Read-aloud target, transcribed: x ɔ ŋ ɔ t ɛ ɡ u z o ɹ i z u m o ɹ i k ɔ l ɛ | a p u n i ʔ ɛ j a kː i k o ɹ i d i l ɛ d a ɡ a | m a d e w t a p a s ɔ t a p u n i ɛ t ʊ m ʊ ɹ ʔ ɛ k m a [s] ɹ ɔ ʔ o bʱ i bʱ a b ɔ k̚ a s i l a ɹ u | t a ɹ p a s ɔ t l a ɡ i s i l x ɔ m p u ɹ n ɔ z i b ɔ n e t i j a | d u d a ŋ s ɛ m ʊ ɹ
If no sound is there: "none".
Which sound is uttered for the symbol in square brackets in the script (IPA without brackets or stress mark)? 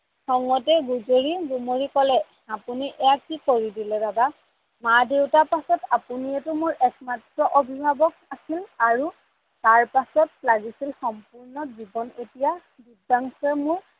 t